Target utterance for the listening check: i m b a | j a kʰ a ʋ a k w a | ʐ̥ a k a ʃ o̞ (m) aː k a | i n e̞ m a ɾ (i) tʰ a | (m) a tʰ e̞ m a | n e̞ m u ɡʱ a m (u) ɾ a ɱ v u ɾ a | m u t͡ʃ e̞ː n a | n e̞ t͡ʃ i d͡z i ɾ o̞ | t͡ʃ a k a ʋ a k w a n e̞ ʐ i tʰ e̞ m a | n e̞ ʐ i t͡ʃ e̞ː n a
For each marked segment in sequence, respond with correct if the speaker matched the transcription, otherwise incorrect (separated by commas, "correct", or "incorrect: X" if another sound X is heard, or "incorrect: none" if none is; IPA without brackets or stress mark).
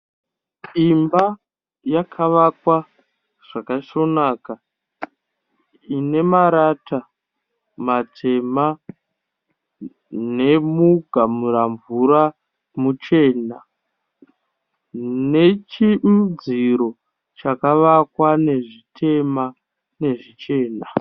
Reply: incorrect: n, incorrect: a, correct, correct